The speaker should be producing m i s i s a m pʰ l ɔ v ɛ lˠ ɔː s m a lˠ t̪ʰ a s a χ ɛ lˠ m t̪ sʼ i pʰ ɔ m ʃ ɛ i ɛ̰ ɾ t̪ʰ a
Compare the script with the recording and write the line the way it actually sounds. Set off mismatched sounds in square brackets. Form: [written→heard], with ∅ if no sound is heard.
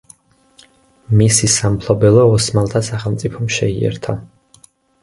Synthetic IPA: m i s i s a m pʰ l ɔ [v→b] ɛ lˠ ɔː s m a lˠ t̪ʰ a s a χ ɛ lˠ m t̪ sʼ i pʰ ɔ m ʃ ɛ i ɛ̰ ɾ t̪ʰ a